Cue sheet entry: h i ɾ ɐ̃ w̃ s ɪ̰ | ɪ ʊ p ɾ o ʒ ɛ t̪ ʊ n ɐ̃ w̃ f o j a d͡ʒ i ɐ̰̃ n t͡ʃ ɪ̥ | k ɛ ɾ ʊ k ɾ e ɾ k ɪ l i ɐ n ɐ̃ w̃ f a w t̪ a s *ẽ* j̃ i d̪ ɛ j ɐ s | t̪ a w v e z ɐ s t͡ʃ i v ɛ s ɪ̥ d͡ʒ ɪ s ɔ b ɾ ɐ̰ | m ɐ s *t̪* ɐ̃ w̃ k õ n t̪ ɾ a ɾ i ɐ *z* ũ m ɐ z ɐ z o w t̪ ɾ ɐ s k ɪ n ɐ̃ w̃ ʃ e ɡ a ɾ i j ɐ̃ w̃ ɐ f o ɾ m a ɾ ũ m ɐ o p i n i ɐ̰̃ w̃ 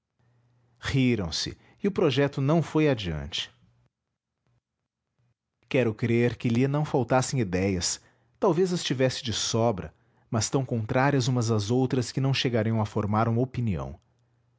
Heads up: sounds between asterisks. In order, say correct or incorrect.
correct, correct, correct

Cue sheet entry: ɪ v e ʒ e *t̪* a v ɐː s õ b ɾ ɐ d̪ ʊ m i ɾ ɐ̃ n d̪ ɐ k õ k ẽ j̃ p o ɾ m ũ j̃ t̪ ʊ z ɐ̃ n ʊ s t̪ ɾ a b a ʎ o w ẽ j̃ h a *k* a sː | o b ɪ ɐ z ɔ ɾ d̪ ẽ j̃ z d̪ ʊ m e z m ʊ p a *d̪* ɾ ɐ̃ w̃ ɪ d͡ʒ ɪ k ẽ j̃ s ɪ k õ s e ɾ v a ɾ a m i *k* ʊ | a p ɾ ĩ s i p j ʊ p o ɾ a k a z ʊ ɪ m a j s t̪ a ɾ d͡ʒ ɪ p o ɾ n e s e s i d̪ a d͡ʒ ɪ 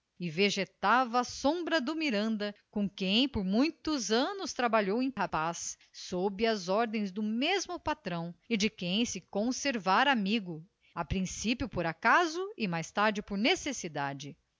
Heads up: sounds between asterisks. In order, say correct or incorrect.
correct, incorrect, incorrect, incorrect

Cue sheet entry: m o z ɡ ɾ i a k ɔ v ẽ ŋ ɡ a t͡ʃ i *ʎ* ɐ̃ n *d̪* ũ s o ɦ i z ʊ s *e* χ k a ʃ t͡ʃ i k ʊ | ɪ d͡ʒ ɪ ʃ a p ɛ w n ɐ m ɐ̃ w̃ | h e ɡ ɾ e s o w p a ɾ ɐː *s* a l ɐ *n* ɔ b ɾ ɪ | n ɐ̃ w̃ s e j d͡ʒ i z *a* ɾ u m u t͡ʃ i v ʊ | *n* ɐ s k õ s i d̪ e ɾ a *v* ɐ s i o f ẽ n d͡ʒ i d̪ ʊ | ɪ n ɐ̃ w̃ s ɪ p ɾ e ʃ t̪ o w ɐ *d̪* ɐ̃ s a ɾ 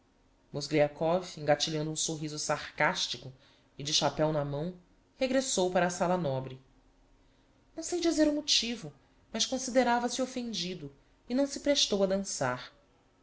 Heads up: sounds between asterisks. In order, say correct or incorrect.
correct, correct, incorrect, correct, correct, incorrect, incorrect, correct, correct

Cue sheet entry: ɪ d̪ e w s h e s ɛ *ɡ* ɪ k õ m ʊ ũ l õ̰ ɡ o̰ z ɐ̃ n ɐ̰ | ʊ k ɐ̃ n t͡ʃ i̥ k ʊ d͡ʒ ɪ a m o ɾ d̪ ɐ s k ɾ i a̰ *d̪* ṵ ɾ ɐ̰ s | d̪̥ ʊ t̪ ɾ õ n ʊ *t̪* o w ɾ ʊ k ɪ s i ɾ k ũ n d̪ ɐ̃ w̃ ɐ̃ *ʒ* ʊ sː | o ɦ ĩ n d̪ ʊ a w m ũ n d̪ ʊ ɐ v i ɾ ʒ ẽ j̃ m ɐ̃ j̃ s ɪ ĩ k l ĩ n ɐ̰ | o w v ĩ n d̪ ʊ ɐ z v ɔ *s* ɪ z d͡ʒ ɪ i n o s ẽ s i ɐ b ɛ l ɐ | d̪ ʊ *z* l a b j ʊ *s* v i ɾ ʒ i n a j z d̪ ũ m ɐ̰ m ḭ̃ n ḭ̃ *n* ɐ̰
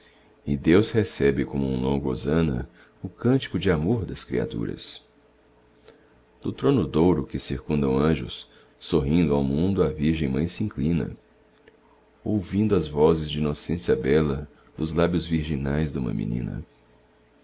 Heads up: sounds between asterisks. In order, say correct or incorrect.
incorrect, incorrect, incorrect, correct, incorrect, correct, incorrect, correct

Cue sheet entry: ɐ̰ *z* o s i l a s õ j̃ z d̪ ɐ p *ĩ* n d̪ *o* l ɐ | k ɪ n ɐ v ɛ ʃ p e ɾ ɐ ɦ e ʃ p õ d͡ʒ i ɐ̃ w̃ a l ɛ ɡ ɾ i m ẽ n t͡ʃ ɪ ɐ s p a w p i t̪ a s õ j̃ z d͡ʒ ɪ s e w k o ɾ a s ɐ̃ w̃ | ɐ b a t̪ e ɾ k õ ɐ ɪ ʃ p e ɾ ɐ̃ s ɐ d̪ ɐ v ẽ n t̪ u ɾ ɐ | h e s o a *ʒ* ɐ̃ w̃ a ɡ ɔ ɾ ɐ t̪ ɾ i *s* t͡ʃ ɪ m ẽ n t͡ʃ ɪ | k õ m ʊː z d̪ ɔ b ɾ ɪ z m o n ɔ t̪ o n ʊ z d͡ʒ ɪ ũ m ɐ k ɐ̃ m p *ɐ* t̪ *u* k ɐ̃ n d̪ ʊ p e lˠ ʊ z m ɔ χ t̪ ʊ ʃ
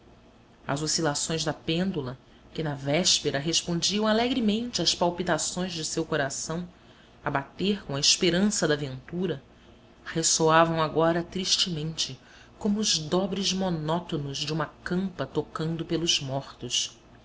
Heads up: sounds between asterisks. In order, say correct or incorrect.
correct, incorrect, incorrect, incorrect, incorrect, correct, incorrect

